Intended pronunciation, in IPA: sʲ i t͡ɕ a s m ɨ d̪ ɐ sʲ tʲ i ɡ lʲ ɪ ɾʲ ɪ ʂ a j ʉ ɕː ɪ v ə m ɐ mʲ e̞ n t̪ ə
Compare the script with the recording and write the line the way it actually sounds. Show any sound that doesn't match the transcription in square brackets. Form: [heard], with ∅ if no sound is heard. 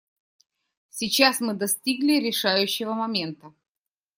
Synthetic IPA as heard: sʲ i t͡ɕ a s m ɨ d̪ ɐ sʲ tʲ i ɡ lʲ ɪ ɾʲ ɪ ʂ a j ʉ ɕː ɪ v ə m ɐ mʲ e̞ n t̪ ə